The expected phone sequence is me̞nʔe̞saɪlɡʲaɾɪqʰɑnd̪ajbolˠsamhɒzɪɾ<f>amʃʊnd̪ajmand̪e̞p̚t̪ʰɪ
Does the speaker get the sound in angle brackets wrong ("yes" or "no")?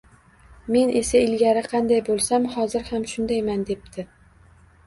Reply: yes